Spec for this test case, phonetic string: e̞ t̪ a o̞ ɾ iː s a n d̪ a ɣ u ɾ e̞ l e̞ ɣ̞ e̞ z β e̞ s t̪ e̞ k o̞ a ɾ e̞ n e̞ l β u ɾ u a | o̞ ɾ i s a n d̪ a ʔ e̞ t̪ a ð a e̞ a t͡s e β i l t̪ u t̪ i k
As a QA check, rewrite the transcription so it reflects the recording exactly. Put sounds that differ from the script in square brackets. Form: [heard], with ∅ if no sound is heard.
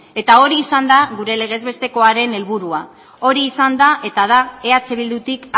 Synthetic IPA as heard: e̞ t̪ a o̞ ɾ iː s a n d̪ a ɣ u ɾ e̞ l e̞ ɣ̞ e̞ z β e̞ s t̪ e̞ k o̞ a ɾ e̞ n e̞ l β u ɾ u a | o̞ ɾ [iː] s a n d̪ a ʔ e̞ t̪ a ð a e̞ a t͡s e β i l [d̪] u t̪ i k